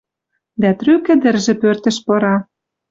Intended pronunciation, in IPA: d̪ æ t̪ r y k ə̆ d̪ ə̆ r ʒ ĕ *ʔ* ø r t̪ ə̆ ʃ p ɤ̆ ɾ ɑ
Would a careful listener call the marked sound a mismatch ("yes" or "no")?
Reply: yes